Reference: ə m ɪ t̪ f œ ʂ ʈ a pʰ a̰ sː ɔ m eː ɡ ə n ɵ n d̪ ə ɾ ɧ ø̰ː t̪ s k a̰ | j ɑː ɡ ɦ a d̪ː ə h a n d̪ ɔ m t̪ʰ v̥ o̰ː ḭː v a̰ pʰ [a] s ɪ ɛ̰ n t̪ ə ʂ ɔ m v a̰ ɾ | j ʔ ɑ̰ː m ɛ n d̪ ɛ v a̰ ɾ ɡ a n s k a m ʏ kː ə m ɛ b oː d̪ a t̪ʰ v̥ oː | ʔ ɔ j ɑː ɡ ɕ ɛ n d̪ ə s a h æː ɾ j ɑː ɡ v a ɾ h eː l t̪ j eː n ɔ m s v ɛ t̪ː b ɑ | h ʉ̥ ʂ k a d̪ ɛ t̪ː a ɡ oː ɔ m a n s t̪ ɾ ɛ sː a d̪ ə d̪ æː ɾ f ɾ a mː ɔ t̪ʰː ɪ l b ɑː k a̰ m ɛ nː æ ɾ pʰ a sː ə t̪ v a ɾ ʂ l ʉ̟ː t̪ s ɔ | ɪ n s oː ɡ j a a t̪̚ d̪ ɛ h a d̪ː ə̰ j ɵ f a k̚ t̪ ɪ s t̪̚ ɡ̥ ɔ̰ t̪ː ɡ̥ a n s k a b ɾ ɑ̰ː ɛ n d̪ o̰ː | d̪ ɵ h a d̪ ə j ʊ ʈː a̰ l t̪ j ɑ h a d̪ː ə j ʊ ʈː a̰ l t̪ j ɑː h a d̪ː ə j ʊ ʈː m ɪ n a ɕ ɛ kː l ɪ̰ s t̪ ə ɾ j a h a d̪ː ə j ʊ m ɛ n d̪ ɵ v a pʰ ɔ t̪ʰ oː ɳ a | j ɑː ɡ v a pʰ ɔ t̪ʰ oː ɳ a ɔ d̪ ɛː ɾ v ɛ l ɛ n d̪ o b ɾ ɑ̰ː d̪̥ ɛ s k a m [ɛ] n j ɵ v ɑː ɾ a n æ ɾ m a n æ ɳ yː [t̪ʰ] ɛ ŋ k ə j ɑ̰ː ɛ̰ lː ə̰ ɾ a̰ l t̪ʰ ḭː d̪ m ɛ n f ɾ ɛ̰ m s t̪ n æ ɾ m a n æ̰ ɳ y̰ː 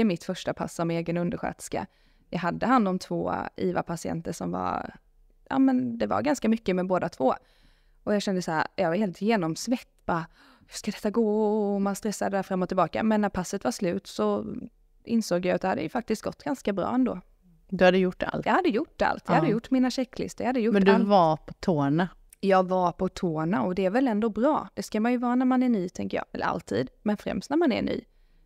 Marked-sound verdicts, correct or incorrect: correct, incorrect: a, correct

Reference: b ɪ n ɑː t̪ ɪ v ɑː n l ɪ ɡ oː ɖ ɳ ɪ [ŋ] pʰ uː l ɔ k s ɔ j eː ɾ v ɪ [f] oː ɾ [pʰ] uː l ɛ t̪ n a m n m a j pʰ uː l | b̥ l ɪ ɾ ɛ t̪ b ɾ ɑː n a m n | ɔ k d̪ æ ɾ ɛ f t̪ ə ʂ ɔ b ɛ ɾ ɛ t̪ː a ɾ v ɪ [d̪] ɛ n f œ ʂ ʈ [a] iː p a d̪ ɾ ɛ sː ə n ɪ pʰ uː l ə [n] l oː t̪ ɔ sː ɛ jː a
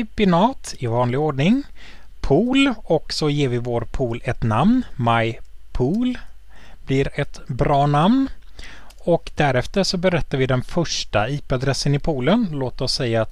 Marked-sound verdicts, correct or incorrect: correct, incorrect: v, correct, correct, correct, correct

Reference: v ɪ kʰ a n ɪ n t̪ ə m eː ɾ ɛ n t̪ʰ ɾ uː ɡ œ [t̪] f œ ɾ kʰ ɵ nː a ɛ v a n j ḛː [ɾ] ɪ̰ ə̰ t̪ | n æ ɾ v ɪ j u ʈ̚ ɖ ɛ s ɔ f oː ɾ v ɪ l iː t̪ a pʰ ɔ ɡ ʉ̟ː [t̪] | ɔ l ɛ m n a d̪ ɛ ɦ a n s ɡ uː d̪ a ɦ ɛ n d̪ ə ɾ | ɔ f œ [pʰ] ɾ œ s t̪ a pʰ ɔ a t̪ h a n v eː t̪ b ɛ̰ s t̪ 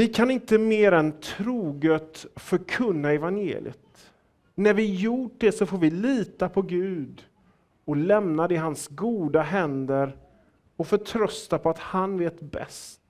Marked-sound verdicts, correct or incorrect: correct, incorrect: l, incorrect: d̪, incorrect: ʈʰ

